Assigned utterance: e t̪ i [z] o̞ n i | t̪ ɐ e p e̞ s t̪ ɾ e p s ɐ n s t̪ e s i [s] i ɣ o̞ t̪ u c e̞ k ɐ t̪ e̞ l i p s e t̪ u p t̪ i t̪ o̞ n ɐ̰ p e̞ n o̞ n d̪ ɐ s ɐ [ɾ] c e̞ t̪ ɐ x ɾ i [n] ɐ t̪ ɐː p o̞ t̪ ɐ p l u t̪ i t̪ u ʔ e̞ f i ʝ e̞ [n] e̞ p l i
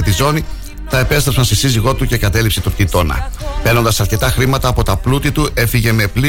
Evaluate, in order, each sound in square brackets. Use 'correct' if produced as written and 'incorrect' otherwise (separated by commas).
correct, incorrect, correct, incorrect, incorrect